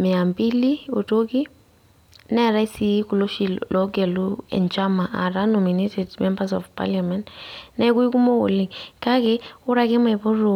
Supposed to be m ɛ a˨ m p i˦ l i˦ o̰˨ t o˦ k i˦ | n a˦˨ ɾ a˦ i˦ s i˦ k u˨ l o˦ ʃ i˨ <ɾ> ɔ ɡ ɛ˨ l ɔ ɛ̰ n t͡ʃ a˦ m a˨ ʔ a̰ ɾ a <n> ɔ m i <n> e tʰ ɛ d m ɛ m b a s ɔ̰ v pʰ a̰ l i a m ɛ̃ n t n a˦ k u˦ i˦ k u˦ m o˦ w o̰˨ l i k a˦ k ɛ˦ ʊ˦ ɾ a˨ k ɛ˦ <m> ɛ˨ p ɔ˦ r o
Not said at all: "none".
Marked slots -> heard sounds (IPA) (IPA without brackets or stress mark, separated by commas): l, n, n, m